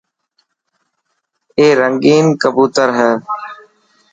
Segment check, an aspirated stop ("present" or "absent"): absent